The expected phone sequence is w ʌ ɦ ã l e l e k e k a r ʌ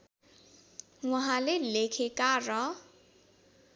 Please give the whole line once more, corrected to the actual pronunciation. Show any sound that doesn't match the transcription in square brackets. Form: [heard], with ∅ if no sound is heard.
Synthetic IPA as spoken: w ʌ ɦ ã l e l e [kʰ] e k a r ʌ